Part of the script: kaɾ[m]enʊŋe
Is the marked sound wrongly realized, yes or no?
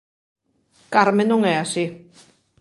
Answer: no